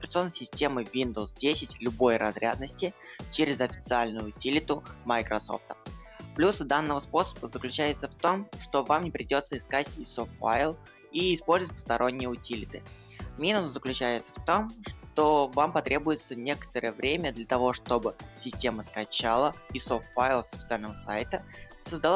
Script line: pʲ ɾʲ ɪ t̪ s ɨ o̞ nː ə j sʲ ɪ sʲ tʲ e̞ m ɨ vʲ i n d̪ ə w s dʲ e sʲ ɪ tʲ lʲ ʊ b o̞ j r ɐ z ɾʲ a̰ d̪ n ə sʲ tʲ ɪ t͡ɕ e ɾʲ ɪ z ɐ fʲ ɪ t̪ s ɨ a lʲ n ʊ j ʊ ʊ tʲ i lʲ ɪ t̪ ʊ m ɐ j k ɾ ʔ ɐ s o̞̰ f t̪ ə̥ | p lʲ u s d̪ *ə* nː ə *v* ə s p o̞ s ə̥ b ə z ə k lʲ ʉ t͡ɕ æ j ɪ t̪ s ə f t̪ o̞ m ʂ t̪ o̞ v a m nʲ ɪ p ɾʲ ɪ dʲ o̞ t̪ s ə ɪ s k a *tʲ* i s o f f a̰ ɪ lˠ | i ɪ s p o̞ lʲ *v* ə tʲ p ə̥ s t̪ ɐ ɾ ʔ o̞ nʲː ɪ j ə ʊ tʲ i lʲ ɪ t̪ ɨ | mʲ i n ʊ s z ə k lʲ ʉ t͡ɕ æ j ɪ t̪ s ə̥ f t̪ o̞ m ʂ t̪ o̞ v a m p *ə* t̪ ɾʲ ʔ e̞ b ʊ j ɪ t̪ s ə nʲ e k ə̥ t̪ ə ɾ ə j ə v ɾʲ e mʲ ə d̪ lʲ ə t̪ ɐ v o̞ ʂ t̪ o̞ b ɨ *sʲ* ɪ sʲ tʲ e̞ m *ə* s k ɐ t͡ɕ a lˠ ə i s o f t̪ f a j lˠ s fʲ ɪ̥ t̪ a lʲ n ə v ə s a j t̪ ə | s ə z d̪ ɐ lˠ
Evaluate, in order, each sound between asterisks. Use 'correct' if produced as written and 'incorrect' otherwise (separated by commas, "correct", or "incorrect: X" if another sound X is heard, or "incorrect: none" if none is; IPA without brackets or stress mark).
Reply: incorrect: a, correct, correct, incorrect: z, incorrect: ɐ, correct, correct